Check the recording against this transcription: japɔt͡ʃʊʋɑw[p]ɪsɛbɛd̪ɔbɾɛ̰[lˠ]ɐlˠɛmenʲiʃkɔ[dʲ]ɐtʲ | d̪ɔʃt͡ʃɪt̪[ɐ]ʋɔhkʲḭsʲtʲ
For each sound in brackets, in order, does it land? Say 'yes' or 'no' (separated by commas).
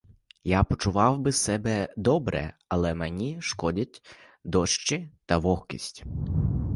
no, no, yes, yes